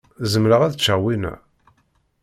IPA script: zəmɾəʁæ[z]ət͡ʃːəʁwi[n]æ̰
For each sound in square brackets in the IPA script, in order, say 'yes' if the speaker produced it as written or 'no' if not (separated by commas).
no, yes